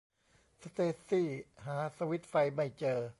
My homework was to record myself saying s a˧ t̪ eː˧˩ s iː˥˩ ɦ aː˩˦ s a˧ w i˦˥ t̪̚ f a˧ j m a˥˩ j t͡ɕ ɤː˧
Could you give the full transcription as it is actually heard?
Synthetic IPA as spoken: s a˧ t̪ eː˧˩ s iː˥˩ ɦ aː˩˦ s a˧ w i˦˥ t̪̚ f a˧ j m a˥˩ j t͡ɕ ɤː˧